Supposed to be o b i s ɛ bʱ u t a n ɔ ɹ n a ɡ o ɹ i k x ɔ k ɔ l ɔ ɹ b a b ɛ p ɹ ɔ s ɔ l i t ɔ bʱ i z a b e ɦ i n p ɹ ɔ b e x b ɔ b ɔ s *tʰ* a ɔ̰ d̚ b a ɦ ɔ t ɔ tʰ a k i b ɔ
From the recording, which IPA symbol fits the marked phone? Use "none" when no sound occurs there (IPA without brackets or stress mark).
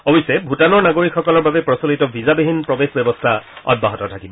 tʰ